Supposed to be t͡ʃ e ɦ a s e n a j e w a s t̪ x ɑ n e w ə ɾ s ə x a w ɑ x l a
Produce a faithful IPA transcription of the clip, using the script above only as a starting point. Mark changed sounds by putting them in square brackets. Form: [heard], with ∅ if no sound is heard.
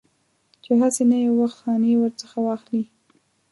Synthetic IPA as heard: t͡ʃ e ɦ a s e n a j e w a [x] t̪ x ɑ n e w ə ɾ [t͡s] ə x a w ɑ x l [i]

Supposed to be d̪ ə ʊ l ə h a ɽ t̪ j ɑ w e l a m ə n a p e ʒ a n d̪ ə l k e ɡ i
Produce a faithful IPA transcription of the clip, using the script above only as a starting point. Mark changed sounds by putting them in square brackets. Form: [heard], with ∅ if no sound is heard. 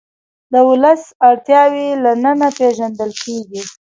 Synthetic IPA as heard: d̪ ə ʊ l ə [s] a ɽ t̪ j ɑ w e l a [n] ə n a p e ʒ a n d̪ ə l k e ɡ i

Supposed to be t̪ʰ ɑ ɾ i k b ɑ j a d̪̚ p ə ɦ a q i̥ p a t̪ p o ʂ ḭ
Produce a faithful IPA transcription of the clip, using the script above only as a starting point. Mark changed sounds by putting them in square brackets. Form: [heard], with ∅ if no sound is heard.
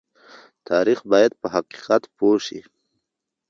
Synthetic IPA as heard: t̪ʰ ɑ ɾ i [x] b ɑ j a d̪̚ p ə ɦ a q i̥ [q] a t̪ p o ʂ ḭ

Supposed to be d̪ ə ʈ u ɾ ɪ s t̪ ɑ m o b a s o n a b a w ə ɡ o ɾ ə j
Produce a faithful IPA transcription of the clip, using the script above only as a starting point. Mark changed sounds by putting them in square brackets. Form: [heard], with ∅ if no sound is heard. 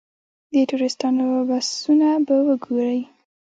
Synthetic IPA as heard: d̪ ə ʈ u ɾ ɪ s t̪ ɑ [n] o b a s [u] n a b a w ə ɡ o ɾ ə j

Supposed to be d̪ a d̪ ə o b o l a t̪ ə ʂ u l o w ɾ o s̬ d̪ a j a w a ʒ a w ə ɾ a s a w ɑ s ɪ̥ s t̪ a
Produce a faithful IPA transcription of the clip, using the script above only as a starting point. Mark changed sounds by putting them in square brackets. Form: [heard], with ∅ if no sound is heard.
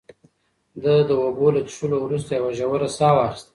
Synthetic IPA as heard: d̪ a d̪ ə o b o l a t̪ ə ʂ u l o w ɾ [u] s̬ [t̪] a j a w a ʒ a w ə ɾ a s [ɑ] w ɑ [x] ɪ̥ s t̪ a

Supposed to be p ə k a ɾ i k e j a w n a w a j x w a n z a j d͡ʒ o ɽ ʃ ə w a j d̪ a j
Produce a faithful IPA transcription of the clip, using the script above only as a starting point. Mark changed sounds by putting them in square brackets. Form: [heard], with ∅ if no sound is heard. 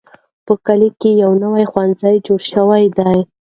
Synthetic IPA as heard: p ə k a [l] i k e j a w n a w a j x w a n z a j d͡ʒ o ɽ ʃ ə w a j d̪ a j

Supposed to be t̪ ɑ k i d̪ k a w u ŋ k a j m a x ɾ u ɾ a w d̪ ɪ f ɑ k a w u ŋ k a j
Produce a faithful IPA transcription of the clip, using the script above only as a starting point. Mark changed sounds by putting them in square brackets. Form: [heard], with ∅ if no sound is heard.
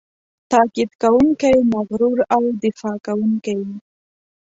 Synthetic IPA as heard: t̪ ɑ k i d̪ k a w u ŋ k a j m a [ɣ] ɾ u ɾ a w d̪ ɪ f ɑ k a w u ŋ k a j

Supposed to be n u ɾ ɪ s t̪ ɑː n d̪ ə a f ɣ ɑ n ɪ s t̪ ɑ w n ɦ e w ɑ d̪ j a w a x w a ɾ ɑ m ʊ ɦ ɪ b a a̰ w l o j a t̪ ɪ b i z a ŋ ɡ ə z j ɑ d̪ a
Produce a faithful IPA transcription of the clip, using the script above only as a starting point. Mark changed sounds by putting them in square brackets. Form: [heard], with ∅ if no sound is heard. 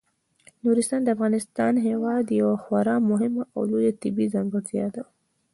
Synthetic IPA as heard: n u ɾ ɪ s t̪ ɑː n d̪ ə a f ɣ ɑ n ɪ s t̪ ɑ [∅] n ɦ e w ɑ d̪ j a w a x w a ɾ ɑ m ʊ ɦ ɪ [m] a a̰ w l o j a t̪ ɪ b i z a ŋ ɡ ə z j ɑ d̪ a

